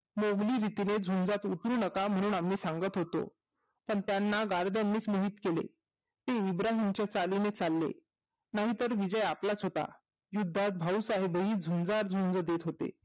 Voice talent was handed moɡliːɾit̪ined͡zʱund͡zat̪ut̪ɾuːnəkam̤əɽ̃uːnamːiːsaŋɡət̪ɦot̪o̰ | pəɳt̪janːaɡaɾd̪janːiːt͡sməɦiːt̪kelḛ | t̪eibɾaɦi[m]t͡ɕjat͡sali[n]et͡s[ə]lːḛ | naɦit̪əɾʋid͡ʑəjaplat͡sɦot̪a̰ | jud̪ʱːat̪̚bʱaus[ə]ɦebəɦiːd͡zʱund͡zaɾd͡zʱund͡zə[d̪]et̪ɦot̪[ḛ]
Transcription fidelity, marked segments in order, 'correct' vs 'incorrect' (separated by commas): correct, correct, incorrect, incorrect, correct, correct